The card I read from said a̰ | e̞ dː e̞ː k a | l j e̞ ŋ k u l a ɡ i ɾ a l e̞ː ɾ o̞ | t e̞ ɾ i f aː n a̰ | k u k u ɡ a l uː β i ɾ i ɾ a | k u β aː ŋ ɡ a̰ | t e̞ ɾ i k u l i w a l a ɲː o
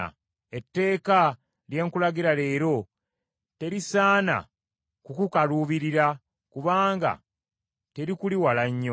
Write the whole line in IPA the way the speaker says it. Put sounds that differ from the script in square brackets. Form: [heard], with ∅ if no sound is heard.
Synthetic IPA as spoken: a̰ | e̞ [tː] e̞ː k a | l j e̞ ŋ k u l a ɡ i ɾ a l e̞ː ɾ o̞ | t e̞ ɾ i [s] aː n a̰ | k u k u [k] a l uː β i ɾ i ɾ a | k u β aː ŋ ɡ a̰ | t e̞ ɾ i k u l i w a l a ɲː o

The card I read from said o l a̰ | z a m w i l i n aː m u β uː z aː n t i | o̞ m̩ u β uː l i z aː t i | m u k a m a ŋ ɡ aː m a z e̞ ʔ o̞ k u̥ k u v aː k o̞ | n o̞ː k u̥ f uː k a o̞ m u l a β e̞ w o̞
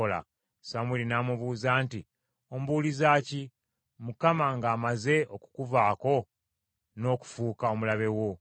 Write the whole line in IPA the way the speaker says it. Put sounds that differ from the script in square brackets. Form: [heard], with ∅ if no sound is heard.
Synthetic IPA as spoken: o l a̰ | [s] a m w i l i n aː m u β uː z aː n t i | o̞ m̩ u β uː l i z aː [c] i | m u k a m a ŋ ɡ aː m a z e̞ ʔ o̞ k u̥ k u v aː k o̞ | n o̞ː k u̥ f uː k a o̞ m u l a β e̞ w o̞

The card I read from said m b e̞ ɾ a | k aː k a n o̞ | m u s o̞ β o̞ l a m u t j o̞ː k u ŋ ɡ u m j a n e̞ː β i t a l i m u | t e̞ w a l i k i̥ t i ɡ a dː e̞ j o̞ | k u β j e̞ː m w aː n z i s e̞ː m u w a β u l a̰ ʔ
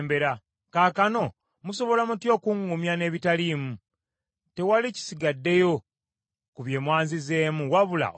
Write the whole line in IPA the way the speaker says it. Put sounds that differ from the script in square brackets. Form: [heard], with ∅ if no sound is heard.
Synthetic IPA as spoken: m b e̞ ɾ a | k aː k a n o̞ | m u s o̞ β o̞ l a m u t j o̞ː k u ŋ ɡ u m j a n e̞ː β i t a l i m u | t e̞ w a l i [c] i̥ [s] i ɡ a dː e̞ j o̞ | k u β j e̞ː m w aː n z i [z] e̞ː m u w a β u l a̰ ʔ

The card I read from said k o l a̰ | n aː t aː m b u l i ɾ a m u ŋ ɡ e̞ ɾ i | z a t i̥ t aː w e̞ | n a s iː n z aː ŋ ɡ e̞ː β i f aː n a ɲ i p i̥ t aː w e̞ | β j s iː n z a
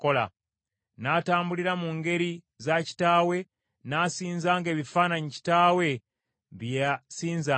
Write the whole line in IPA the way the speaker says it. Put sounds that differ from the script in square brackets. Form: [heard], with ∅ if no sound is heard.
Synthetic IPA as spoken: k o l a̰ | n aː t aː m b u l i ɾ a m u ŋ ɡ e̞ ɾ i | z a [c] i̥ t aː w e̞ | n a s iː n z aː ŋ ɡ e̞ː β i f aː n a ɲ i [c] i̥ t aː w e̞ | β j s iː n z a

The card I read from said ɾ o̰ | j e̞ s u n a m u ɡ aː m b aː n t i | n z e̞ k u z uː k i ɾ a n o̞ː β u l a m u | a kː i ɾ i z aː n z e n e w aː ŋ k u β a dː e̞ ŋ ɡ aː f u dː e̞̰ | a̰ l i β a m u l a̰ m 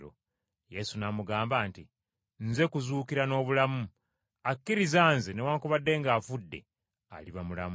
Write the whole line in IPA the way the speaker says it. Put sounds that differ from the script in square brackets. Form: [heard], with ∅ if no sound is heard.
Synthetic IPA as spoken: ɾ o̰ | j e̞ s u n a m u ɡ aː m b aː n t i | n z e̞ k u z uː k i ɾ a n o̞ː β u l a m u | a kː i ɾ i z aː n z e n e w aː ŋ k u β a dː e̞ ŋ ɡ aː f u dː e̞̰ | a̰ l i β a m u l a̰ m

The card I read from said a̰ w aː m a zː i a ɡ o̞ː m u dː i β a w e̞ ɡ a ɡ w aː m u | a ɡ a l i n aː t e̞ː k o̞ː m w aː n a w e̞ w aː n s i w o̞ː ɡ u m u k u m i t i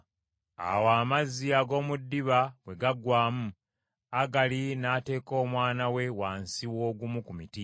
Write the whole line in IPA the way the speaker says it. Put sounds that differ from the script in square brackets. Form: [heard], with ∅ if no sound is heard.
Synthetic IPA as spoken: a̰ w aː m a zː i a ɡ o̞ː m u dː i β a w e̞ ɡ a ɡ w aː m u | a ɡ a l i n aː t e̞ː k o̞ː m w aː n a w e̞ w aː n s i w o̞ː ɡ u m u k u m i t i

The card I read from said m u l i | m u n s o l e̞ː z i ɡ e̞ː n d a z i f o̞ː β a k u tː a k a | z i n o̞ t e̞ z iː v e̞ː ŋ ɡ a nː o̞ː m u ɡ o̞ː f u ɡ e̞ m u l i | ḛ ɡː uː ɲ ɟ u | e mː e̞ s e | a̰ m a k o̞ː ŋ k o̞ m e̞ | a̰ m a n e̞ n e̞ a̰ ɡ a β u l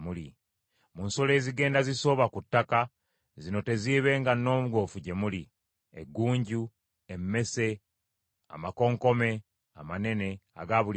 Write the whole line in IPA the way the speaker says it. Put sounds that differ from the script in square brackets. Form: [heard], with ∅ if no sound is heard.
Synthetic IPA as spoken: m u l i | m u n s o l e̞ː z i ɡ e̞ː n d a z i [s] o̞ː β a k u tː a k a | z i n o̞ t e̞ z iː [β] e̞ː ŋ ɡ a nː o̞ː m u ɡ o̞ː f u [ɟ] e̞ m u l i | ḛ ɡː uː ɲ ɟ u | e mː e̞ s e | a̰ m a k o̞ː ŋ k o̞ m e̞ | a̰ m a n e̞ n e̞ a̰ ɡ a β u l

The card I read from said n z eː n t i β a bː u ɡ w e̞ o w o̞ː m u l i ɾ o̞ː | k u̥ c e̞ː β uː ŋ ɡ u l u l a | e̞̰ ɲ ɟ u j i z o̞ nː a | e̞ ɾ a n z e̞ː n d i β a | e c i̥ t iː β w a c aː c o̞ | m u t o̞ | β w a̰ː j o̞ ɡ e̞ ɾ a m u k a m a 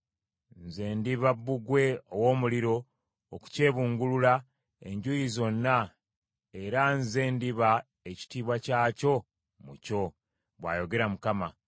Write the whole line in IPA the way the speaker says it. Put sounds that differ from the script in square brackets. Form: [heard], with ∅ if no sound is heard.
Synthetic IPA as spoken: n z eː n [d] i β a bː u ɡ w e̞ o w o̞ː m u l i ɾ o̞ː | k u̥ c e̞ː β uː ŋ ɡ u l u l a | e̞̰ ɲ ɟ u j i z o̞ nː a | e̞ ɾ a n z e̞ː n d i β a | e c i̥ t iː β w a c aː c o̞ | m u [c] o̞ | β w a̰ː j o̞ ɡ e̞ ɾ a m u k a m a

